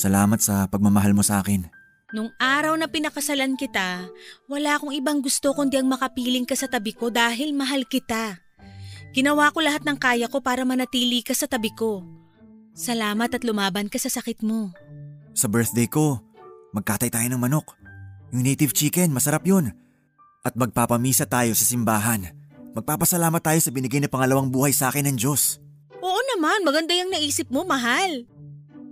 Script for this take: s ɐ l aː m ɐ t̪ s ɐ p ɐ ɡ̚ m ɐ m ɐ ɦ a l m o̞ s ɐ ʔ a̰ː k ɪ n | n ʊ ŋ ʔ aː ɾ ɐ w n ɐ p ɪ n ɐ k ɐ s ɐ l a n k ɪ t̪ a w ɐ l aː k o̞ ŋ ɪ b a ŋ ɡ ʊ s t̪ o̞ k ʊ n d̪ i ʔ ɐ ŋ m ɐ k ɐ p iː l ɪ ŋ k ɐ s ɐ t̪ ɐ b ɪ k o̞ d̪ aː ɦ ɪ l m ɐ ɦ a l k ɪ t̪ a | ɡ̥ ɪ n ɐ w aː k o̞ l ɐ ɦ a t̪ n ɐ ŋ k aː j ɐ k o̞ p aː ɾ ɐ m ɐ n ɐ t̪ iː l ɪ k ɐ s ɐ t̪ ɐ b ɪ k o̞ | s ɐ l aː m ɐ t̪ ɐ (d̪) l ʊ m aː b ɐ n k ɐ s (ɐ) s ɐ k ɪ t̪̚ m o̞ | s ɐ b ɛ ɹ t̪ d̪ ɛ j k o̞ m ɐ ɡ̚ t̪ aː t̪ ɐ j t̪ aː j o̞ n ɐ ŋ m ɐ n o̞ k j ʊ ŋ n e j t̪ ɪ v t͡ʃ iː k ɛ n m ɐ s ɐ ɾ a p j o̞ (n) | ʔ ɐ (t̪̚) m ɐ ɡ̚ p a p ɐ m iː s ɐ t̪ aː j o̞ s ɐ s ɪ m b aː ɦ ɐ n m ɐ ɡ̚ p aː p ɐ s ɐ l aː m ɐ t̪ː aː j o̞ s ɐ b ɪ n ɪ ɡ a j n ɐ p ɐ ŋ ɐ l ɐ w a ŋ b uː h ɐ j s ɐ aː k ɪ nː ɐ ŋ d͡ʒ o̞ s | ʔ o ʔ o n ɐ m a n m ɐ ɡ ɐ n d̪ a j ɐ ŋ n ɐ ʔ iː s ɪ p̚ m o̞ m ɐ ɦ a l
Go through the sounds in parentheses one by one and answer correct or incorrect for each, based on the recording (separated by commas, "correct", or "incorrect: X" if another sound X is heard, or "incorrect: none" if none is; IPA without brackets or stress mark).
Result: incorrect: t̪, correct, correct, correct